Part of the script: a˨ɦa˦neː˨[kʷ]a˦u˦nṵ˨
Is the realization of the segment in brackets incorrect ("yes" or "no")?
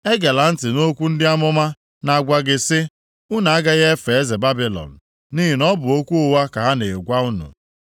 yes